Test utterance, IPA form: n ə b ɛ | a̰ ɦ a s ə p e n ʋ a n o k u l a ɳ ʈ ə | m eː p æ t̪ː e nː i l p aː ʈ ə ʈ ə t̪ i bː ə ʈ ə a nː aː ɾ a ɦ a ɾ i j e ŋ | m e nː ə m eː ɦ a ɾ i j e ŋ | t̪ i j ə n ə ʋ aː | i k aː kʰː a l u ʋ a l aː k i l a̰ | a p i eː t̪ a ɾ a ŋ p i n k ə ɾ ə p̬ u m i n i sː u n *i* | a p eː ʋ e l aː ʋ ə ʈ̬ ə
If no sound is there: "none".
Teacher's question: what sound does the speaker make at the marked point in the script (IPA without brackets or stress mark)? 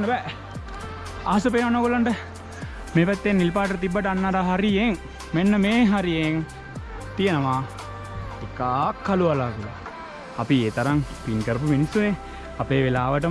e